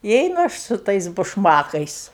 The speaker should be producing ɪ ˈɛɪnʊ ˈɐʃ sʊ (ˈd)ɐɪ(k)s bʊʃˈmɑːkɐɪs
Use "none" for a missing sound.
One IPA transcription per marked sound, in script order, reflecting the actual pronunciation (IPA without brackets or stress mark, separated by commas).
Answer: t, none